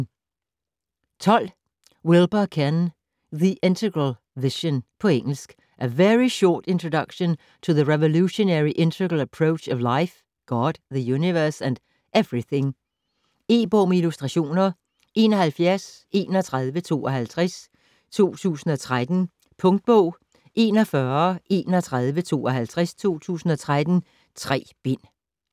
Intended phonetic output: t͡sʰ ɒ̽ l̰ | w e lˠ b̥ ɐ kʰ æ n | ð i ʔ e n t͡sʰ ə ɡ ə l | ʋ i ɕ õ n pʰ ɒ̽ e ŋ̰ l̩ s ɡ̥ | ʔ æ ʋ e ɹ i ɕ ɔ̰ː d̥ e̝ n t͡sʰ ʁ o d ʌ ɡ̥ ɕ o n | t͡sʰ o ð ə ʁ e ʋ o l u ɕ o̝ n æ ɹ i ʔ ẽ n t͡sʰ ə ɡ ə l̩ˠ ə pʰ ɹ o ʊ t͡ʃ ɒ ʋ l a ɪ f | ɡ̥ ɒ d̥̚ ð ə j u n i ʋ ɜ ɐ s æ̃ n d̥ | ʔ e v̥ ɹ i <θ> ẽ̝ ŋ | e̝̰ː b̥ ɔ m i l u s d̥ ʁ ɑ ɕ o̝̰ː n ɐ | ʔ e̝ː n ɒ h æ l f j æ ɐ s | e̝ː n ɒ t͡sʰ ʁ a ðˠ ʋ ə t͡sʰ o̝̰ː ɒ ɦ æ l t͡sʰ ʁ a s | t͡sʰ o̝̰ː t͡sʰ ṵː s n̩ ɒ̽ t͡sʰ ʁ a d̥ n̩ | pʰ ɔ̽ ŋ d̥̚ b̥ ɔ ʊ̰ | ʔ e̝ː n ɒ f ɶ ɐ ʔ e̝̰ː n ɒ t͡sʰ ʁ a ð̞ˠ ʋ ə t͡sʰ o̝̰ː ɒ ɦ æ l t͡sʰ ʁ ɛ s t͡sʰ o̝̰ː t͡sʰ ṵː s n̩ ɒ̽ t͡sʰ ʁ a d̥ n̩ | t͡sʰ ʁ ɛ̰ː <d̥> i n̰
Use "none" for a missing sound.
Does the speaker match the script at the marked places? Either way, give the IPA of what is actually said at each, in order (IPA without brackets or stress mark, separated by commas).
θ, b̥